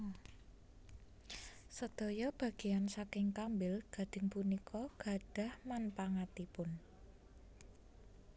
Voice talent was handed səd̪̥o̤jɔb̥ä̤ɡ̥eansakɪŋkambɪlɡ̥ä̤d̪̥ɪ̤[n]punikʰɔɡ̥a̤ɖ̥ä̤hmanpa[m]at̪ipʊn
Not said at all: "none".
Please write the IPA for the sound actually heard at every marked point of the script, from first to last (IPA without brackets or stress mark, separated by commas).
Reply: ŋ, ŋ